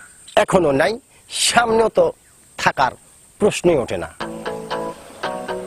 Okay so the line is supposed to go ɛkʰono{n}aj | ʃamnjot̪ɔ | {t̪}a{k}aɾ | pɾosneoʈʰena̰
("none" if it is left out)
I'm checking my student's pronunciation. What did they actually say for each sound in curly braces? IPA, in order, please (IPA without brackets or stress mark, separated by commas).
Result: n, t̪ʰ, k